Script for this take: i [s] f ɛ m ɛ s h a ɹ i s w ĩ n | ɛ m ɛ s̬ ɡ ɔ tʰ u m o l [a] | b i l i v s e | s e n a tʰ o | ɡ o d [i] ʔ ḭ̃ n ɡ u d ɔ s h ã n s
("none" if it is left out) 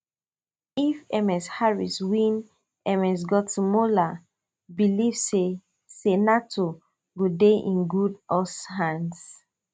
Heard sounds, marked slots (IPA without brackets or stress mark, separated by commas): none, a, e